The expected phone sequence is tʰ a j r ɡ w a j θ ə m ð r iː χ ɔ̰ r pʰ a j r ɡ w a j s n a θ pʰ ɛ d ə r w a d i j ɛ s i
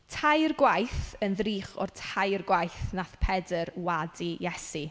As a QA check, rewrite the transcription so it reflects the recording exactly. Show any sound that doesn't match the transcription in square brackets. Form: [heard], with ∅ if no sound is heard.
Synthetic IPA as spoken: tʰ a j r ɡ w a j θ ə [n] ð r iː χ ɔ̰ r [tʰ] a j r ɡ w a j [θ] n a θ pʰ ɛ d ə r w a d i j ɛ s i